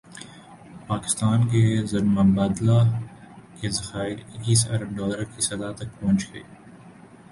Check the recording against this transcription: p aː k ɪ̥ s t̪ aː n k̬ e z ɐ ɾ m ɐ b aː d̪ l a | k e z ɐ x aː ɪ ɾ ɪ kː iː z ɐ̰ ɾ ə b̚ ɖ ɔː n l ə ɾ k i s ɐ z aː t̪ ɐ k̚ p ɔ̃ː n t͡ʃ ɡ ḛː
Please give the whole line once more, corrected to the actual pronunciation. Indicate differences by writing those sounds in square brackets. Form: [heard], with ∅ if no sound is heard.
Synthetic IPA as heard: p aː k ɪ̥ s t̪ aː n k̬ e z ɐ ɾ m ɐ b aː d̪ l a | k e z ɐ x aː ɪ ɾ ɪ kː iː [s] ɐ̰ ɾ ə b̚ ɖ ɔː [∅] l ə ɾ k i s ɐ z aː t̪ ɐ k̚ p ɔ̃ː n t͡ʃ ɡ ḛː